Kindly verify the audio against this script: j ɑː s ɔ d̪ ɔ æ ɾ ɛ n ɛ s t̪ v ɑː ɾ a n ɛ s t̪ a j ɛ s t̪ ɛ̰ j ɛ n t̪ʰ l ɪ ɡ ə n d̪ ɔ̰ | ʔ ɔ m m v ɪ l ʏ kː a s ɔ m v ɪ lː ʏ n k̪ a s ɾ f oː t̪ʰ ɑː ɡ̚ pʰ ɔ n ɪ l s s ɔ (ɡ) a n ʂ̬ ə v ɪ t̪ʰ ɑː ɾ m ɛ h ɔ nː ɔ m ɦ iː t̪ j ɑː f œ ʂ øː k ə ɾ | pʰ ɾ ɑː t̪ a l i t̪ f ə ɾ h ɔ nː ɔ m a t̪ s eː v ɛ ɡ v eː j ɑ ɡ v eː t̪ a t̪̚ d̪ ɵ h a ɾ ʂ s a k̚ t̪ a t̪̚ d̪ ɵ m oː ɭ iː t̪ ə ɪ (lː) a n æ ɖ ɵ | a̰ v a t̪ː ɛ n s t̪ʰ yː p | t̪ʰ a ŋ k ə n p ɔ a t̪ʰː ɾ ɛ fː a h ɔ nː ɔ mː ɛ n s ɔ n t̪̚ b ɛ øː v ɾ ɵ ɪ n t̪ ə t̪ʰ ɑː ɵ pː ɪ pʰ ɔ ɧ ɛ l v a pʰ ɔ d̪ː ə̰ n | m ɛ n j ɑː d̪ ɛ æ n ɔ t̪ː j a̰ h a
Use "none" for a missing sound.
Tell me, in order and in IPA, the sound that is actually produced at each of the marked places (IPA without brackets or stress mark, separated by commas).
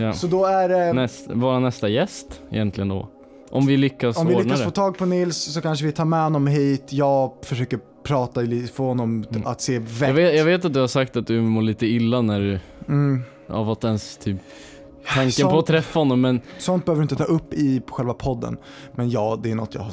k, lː